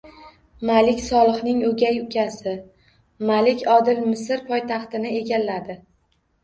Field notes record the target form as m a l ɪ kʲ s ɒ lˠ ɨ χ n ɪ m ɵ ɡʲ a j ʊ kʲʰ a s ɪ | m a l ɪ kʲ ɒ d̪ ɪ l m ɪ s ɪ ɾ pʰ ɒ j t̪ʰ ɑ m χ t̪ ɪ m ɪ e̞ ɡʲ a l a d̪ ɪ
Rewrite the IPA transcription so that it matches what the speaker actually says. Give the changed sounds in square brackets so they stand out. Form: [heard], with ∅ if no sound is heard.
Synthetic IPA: m a l ɪ kʲ s ɒ lˠ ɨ χ n ɪ [ŋ] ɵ ɡʲ a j ʊ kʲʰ a s ɪ | m a l ɪ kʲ ɒ d̪ ɪ l m ɪ s ɪ ɾ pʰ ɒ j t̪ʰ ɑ [∅] χ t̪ ɪ [n] ɪ e̞ ɡʲ a [lː] a d̪ ɪ

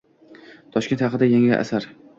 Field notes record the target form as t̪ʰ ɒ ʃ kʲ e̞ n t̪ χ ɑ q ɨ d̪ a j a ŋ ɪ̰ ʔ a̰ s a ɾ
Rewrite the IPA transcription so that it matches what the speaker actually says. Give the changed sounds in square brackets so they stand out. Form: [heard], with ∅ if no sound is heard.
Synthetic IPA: t̪ʰ ɒ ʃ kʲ e̞ n t̪ [h] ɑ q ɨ d̪ a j a ŋ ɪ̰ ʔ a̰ s a ɾ

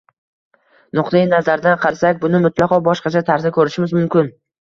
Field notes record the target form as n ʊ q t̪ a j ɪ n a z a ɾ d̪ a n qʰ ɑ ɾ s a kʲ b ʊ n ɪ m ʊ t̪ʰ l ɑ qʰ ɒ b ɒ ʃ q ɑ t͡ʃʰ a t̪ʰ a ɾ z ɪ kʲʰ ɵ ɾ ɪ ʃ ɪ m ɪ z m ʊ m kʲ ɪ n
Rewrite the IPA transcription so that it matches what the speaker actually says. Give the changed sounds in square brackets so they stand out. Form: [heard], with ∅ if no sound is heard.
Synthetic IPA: n ʊ q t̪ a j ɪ n a z a ɾ d̪ a n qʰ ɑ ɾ s a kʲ b ʊ n ɪ m ʊ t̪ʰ l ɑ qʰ ɒ b ɒ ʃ q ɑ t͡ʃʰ a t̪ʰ a ɾ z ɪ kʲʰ ɵ ɾ ɪ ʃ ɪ m ɪ z m ʊ m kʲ ɪ n

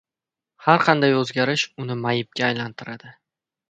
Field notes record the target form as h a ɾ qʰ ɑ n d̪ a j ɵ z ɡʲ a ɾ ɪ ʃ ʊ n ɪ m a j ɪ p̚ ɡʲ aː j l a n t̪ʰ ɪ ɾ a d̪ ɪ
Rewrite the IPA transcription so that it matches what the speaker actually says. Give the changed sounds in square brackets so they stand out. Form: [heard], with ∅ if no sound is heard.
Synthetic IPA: h a ɾ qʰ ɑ n d̪ a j ɵ z ɡʲ a ɾ ɪ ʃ ʊ n ɪ m a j ɪ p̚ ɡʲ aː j l a n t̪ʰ ɪ ɾ a d̪ ɪ

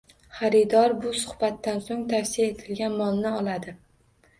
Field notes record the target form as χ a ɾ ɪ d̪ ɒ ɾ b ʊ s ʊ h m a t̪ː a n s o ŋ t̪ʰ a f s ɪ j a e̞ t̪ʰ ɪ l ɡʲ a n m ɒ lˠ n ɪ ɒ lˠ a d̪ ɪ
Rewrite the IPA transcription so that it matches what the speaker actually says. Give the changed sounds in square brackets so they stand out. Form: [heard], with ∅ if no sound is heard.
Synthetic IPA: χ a ɾ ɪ d̪ ɒ ɾ b ʊ s ʊ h [b] a t̪ː a n s o ŋ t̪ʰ a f s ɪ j a e̞ t̪ʰ ɪ l ɡʲ a n m ɒ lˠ n ɪ ɒ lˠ a d̪ ɪ

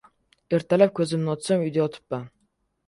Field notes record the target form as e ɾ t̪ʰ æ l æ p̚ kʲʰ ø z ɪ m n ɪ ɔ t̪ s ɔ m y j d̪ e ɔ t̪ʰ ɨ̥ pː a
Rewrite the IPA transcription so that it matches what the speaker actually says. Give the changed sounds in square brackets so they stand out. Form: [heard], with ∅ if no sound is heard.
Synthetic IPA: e ɾ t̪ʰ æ l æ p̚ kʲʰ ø z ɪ m n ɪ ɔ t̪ s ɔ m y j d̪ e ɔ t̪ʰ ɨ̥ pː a

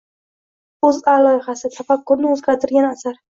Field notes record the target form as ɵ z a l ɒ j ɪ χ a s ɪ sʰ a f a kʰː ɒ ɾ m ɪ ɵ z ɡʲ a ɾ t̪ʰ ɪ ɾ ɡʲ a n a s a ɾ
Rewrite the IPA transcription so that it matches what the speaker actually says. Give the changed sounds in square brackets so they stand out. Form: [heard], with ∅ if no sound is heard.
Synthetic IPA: ɵ z a l ɒ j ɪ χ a s ɪ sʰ a f a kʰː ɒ ɾ [n] ɪ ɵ z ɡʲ a ɾ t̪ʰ ɪ ɾ ɡʲ a n a s a ɾ

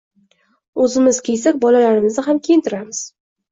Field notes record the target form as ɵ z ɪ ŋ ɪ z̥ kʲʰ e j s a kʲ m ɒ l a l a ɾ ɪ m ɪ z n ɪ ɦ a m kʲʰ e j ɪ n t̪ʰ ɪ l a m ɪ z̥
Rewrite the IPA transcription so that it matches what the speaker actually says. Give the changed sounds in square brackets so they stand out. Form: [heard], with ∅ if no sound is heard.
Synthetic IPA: ɵ z ɪ [m] ɪ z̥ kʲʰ e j s a kʲ [b] ɒ l a l a ɾ ɪ m ɪ z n ɪ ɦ a m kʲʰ e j ɪ n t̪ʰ ɪ [ɾ] a m ɪ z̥

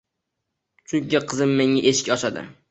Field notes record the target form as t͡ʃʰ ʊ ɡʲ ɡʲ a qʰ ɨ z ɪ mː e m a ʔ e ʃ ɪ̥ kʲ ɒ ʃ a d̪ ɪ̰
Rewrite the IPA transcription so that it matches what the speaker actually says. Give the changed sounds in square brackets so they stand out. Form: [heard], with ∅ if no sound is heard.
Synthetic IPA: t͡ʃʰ ʊ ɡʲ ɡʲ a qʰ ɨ z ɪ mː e [ŋ] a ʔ e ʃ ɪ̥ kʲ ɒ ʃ a d̪ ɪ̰

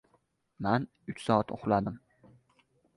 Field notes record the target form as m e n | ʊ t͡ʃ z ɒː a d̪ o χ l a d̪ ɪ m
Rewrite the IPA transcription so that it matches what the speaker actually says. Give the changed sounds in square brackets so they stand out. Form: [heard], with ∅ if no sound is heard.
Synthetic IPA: m [a] n | ʊ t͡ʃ [s] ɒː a [t̪] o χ l a d̪ ɪ m

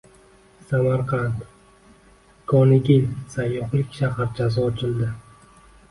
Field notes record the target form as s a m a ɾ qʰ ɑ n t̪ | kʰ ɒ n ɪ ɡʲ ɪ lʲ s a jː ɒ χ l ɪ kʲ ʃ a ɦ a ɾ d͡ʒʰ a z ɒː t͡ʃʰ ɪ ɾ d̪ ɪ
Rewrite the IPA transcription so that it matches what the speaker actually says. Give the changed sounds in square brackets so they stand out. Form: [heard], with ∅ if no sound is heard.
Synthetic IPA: s a m a ɾ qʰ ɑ n t̪ | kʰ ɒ n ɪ ɡʲ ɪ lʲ s a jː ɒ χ l ɪ kʲ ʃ a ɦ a ɾ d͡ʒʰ a z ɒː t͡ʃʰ ɪ [l] d̪ ɪ

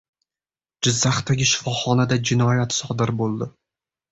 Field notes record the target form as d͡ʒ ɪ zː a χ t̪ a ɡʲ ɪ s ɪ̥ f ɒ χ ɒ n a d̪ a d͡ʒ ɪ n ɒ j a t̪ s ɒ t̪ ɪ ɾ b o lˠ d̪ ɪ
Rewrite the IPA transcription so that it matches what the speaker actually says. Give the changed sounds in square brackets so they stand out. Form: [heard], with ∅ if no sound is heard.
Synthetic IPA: d͡ʒ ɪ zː a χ t̪ a ɡʲ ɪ [ʃ] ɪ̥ f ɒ χ ɒ n a d̪ a d͡ʒ ɪ n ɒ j a t̪ s ɒ [d̪] ɪ ɾ b o lˠ d̪ ɪ

